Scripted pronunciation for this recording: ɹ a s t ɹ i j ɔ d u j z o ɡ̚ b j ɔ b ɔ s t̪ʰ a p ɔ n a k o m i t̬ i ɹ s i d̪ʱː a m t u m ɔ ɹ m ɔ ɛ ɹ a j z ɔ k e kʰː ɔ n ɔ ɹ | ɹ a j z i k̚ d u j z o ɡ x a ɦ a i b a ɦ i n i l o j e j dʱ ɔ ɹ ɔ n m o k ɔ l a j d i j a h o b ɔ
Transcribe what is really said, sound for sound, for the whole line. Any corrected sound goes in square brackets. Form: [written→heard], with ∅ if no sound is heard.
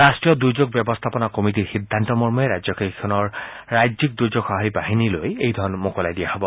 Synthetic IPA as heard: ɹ a s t ɹ i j ɔ d u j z o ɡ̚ b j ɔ b ɔ s t̪ʰ a p ɔ n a k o m i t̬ i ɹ [s→x] i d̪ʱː a [m→n] t [u→ɔ] m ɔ ɹ m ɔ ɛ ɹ a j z ɔ k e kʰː ɔ n ɔ ɹ | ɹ a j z i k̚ d u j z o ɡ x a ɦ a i b a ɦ i n i l o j e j dʱ ɔ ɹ ɔ n m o k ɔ l a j d i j a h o b ɔ